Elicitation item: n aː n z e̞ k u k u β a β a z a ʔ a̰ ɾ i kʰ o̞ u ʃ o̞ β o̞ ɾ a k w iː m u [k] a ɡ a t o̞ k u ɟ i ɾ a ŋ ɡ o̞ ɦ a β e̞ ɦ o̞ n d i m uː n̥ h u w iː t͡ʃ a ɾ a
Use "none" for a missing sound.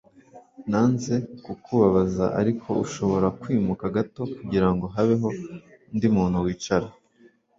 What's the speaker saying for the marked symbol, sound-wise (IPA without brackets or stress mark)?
k